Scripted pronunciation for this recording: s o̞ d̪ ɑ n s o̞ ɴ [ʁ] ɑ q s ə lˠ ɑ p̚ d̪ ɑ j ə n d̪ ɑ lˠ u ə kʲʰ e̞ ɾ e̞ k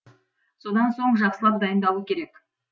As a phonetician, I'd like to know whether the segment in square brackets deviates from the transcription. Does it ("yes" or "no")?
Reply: yes